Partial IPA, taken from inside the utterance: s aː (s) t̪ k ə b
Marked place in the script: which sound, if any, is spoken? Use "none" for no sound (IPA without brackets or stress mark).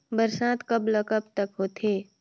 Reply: none